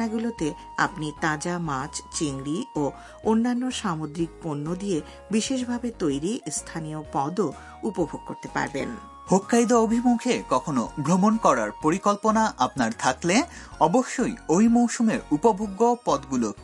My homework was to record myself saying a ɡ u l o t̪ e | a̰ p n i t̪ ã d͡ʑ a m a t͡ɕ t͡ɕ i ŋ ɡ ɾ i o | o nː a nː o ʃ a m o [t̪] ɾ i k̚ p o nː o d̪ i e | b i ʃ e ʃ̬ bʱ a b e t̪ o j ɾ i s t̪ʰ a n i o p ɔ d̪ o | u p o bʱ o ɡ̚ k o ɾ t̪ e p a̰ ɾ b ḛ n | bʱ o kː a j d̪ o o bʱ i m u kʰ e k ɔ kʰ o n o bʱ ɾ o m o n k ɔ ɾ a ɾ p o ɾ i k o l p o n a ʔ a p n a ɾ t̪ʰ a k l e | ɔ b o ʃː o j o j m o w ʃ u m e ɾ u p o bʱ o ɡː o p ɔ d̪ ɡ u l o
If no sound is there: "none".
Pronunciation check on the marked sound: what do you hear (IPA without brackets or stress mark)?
d̪